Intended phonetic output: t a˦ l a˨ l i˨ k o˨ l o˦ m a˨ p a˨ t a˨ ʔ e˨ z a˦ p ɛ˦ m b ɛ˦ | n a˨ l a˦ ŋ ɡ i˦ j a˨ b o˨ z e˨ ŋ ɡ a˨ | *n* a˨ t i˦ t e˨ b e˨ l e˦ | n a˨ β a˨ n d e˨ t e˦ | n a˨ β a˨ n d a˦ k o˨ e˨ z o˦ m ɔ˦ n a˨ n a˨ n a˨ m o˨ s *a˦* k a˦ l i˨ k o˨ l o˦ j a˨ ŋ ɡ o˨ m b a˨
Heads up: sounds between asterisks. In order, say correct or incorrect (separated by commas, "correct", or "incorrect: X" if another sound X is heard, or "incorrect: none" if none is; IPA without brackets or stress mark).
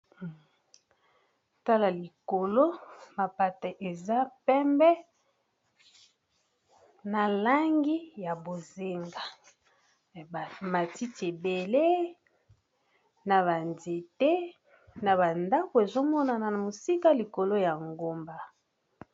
incorrect: m, incorrect: i˦